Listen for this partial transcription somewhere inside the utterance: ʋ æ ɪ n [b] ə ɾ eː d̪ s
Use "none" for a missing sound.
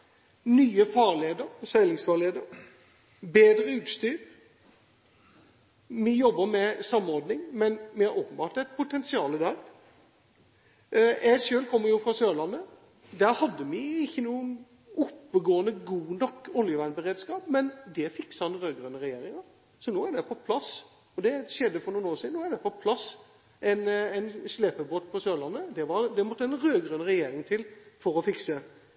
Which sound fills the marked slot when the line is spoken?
b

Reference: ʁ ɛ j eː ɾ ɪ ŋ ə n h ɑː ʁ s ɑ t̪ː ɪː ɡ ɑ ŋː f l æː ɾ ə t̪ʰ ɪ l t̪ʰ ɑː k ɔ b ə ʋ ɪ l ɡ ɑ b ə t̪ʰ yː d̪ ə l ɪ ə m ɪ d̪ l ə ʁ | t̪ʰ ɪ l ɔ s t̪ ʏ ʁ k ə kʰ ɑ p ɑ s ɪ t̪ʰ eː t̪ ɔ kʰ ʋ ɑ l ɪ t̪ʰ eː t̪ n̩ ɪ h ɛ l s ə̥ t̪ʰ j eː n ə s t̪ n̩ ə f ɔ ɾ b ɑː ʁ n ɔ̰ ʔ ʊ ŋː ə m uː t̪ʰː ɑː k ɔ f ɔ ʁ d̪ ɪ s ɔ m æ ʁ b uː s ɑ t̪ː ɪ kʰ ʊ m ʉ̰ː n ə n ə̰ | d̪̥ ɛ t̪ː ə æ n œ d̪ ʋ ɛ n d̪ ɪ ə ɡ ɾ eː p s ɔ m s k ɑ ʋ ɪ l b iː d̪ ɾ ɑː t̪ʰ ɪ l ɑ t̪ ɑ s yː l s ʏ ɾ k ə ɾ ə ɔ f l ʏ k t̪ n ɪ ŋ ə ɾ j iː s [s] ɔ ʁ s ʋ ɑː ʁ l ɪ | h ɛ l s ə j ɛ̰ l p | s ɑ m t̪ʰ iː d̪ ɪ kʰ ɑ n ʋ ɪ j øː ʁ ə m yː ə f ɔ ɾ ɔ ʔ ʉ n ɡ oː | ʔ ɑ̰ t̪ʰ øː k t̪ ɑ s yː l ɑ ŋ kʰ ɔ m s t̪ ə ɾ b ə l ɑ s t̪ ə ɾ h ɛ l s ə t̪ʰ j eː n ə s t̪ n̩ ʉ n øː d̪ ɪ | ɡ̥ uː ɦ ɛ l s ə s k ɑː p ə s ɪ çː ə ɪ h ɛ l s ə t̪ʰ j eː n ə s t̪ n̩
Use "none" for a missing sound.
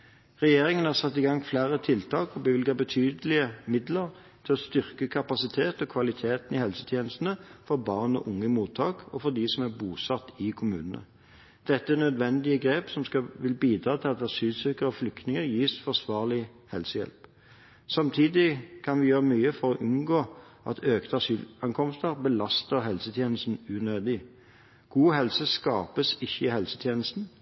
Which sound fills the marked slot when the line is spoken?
f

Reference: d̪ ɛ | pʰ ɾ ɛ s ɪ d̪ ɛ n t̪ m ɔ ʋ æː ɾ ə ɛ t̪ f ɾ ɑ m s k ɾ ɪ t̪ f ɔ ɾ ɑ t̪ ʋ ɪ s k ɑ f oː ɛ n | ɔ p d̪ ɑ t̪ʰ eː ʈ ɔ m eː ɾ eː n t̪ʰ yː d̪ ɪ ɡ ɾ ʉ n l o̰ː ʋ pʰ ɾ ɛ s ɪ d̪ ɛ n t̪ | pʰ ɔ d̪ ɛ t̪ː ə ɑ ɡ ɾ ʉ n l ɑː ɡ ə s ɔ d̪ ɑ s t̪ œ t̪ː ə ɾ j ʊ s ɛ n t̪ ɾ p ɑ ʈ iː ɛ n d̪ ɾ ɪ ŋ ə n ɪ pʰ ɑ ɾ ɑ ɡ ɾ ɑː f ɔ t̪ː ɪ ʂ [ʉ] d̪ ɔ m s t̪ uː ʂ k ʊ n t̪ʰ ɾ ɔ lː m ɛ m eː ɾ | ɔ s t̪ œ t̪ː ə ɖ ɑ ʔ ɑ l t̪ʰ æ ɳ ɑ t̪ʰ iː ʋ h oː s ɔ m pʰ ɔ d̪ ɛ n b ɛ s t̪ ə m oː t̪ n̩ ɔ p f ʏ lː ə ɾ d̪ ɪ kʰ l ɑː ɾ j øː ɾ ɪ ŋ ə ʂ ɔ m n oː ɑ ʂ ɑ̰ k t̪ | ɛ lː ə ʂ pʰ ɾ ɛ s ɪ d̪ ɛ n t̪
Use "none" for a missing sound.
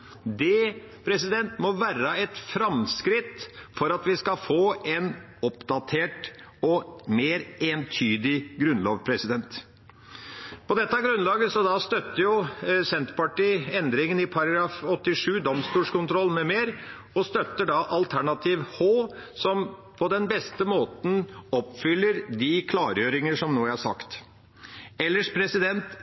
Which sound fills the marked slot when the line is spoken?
ʉː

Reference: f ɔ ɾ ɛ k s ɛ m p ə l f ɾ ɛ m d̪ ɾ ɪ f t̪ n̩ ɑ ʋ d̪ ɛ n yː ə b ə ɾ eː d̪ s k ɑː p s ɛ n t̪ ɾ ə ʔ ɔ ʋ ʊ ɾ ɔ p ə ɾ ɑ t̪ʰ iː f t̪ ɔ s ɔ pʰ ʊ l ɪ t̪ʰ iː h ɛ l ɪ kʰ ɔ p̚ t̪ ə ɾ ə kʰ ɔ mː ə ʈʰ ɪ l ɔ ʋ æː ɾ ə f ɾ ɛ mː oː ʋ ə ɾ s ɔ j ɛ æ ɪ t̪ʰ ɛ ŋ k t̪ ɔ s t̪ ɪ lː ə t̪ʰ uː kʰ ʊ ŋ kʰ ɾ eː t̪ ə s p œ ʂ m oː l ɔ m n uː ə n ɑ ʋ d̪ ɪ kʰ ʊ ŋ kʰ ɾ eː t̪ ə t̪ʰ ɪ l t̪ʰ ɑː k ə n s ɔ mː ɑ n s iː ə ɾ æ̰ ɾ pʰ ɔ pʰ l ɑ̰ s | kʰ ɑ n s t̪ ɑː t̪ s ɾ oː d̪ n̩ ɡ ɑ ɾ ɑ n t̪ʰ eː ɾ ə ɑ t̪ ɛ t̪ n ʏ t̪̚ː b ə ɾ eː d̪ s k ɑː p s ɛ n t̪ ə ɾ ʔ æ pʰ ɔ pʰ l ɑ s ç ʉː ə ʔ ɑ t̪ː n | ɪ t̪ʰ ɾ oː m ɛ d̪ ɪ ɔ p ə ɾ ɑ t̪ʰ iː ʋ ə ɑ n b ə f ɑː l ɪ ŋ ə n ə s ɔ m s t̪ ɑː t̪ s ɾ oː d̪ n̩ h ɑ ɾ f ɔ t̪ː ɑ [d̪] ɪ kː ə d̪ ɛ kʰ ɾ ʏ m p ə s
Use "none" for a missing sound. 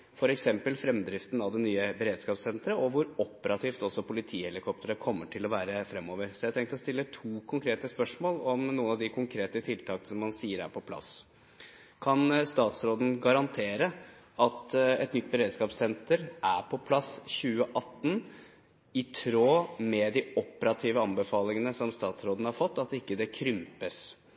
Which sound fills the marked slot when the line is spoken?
t̪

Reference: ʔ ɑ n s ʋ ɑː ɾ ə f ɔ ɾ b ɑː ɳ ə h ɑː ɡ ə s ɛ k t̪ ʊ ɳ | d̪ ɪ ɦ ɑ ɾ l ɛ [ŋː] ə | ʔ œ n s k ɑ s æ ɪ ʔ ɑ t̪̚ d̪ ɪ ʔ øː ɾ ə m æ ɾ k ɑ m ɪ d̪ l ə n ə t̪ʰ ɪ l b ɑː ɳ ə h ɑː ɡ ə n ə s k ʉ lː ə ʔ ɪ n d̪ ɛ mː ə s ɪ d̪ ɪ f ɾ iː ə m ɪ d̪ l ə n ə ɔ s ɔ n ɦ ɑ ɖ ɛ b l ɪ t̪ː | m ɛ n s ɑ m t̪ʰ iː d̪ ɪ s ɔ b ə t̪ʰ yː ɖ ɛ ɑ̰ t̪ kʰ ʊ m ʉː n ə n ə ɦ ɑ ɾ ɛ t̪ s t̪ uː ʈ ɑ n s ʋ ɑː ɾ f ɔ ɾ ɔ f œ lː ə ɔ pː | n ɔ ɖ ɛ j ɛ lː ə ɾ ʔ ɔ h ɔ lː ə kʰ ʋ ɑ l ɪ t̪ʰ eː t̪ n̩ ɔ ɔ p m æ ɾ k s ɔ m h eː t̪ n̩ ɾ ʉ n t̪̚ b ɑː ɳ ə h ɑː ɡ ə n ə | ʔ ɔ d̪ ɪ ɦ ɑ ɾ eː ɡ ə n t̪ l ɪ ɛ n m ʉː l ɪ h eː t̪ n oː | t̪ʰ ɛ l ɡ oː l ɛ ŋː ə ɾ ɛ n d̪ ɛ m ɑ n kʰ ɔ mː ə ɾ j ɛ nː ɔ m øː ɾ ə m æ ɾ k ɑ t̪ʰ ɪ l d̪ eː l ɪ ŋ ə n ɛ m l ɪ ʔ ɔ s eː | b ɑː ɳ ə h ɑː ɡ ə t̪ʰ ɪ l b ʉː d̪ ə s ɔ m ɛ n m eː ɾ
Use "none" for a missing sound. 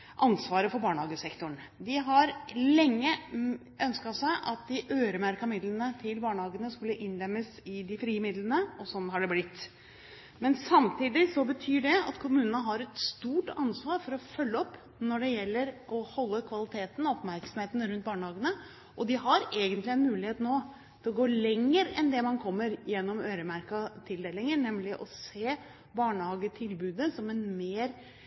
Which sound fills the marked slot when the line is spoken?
ŋː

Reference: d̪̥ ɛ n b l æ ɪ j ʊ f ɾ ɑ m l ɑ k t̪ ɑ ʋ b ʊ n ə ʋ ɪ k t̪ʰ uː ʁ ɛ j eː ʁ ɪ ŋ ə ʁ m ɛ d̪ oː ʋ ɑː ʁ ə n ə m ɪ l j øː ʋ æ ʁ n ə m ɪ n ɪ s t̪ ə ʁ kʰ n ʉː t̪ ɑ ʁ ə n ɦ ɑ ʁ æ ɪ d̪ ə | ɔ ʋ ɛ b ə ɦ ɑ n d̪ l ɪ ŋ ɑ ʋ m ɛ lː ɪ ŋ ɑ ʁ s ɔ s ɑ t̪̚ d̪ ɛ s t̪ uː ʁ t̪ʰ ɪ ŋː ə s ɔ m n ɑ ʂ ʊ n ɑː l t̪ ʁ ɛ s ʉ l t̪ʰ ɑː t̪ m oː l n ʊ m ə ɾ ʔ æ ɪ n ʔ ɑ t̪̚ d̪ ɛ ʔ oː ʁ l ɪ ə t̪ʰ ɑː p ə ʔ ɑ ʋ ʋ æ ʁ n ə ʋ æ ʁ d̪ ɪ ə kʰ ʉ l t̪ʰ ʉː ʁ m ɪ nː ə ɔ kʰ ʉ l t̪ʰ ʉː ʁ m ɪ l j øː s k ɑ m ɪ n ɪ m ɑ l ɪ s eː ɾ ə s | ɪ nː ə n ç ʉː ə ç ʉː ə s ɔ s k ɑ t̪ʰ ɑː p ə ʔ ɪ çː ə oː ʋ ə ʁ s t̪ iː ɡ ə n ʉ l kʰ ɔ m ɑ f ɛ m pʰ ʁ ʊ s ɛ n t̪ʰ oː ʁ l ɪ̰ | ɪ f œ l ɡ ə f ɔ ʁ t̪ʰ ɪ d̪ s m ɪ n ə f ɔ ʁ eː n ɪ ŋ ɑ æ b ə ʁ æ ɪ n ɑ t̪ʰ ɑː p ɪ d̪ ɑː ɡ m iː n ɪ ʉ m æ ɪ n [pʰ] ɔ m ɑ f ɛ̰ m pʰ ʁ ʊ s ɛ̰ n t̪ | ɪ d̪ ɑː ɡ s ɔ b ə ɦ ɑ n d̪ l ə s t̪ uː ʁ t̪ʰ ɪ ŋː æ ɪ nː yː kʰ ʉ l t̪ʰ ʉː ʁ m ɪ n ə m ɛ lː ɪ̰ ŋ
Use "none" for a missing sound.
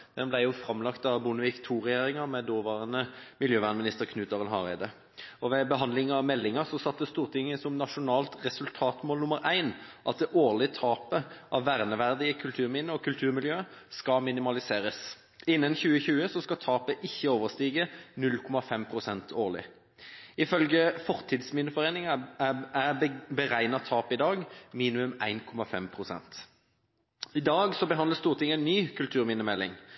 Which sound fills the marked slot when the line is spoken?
kʰ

